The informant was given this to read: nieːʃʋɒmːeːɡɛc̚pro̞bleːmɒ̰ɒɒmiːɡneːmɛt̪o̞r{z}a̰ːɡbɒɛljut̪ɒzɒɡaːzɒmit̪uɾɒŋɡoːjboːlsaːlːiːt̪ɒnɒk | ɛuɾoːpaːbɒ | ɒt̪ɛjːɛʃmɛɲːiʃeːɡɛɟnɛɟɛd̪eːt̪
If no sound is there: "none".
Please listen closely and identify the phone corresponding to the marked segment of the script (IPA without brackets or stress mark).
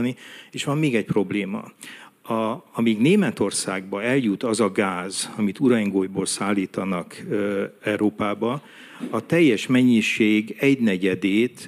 s